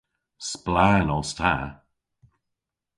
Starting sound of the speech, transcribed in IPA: s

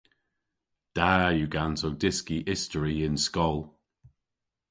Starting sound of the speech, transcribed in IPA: d̥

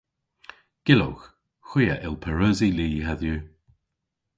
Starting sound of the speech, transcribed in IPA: ɡ̥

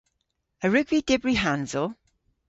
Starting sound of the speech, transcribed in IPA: ə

